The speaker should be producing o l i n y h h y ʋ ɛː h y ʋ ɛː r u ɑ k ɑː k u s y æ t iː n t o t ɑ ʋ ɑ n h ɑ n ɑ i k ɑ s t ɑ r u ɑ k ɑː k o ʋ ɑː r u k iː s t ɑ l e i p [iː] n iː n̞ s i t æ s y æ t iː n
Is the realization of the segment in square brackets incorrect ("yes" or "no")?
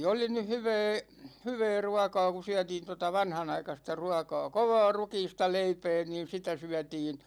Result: yes